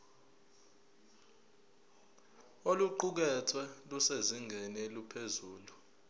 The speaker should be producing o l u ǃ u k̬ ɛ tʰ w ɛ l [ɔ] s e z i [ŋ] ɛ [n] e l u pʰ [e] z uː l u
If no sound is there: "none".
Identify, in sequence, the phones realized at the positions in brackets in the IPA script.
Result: u, ŋ, n, e

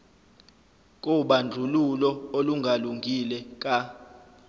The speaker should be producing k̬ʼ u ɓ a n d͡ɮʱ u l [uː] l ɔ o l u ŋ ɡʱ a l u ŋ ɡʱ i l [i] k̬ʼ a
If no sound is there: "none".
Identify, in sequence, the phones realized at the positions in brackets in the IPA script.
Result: u, ɛ

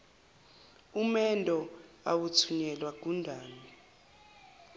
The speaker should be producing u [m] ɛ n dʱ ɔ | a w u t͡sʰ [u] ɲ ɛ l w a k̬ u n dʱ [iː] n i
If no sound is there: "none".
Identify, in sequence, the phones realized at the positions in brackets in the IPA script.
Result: m, u, aː

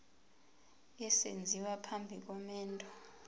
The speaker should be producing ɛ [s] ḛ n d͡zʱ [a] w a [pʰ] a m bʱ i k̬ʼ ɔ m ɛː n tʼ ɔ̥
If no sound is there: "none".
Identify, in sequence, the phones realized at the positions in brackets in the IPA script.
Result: s, i, pʰ

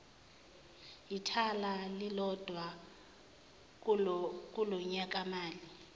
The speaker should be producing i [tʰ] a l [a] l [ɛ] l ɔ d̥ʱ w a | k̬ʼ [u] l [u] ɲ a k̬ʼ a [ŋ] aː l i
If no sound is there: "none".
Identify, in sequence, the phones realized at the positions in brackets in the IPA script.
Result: tʰ, a, i, u, ɔ, m

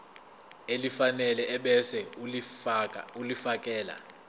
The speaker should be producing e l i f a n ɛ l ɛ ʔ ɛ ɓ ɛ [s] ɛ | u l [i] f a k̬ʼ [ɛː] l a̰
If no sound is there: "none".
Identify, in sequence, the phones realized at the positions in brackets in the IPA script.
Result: s, i, ɛː

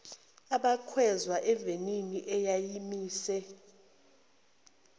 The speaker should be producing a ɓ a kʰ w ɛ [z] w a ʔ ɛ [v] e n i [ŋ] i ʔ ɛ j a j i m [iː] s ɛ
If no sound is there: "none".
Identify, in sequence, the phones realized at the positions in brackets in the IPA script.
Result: z, v, n, iː

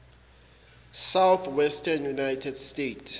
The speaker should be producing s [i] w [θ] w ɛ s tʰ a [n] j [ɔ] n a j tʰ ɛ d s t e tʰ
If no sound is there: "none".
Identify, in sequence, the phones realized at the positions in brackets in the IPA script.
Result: a, θ, n, u

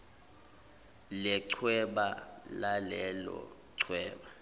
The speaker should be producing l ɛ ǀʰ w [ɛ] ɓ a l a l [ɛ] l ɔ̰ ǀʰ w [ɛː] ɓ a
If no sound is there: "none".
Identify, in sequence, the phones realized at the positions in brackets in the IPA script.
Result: ɛ, ɛ, ɛː

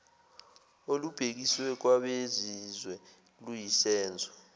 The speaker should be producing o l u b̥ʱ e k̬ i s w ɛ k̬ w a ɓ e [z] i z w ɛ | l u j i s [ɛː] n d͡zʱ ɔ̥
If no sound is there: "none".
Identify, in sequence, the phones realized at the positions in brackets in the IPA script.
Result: z, ɛː

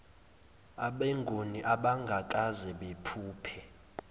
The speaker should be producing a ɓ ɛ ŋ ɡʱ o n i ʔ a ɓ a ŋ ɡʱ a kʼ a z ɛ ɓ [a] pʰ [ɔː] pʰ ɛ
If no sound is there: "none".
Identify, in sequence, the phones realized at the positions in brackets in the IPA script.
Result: e, uː

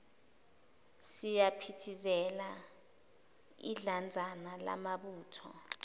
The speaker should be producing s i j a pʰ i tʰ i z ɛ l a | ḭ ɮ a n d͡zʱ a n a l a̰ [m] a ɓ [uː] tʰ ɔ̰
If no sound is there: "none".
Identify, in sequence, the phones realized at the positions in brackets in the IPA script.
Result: m, uː

